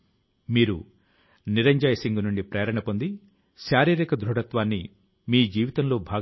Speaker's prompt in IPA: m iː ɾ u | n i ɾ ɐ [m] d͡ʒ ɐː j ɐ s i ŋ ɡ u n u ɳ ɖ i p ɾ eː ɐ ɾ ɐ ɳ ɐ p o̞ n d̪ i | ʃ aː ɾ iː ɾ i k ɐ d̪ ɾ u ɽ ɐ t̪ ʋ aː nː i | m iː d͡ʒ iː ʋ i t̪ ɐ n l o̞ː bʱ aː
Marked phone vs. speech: incorrect: ɲ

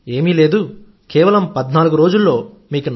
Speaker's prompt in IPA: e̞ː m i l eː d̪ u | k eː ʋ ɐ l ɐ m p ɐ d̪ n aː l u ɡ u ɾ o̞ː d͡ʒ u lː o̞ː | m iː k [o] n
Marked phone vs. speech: incorrect: u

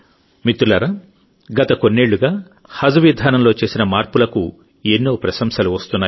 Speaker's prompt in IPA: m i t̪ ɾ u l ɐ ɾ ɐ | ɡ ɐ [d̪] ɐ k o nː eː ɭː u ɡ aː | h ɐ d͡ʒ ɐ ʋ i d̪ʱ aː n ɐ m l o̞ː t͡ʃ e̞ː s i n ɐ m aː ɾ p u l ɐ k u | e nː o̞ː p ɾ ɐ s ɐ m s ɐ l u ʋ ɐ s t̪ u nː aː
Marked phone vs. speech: incorrect: t̪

